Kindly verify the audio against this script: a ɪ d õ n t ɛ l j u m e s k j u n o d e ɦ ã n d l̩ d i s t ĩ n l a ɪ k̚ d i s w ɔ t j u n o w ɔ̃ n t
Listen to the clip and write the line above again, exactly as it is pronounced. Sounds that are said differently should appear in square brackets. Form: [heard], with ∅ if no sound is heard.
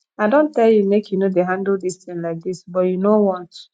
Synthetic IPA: a ɪ d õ n t ɛ l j u m e [∅] k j u n o d e ɦ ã n d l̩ d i s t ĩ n l a ɪ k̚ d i s [b] ɔ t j u n o w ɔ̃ n t